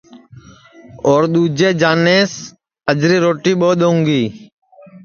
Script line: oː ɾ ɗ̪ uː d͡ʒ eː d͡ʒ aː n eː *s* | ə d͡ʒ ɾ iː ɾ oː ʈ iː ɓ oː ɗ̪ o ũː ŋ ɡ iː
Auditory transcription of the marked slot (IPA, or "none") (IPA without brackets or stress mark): s